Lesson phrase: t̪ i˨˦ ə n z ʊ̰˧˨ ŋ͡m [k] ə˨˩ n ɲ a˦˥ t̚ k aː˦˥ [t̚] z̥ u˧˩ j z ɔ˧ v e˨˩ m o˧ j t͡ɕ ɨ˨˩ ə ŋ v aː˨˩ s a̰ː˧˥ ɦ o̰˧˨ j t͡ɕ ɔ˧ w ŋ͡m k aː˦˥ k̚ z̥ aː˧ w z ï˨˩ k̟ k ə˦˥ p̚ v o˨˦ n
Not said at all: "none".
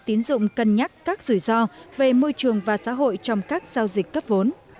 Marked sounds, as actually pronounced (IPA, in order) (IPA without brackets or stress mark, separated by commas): k, k̚